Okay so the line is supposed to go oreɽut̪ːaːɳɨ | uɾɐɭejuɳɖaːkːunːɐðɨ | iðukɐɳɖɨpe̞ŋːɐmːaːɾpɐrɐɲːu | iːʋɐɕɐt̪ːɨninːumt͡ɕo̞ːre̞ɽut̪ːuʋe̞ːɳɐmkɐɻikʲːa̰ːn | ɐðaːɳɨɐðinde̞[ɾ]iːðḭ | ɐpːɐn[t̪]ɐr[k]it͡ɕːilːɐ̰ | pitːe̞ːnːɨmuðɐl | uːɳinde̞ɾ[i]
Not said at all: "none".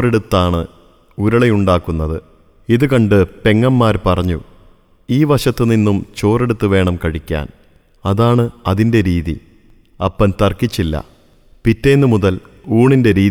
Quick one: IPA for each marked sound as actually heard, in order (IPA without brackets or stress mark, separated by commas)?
ɾ, t̪, k, iː